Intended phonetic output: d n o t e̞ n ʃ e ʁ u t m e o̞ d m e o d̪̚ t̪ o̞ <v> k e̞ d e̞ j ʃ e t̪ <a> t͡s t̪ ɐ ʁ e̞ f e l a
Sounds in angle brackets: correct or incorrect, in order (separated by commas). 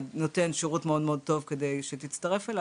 correct, incorrect